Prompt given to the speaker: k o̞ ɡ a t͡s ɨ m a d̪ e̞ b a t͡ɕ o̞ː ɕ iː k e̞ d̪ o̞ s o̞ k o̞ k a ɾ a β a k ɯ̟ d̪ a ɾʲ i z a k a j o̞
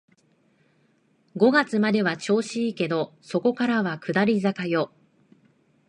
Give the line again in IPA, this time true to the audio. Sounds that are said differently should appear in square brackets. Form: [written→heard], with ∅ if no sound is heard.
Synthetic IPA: [k→ɡ] o̞ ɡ a t͡s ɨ m a d̪ e̞ [b→β] a t͡ɕ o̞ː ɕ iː k e̞ d̪ o̞ s o̞ k o̞ k a ɾ a β a k ɯ̟ d̪ a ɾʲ i z a k a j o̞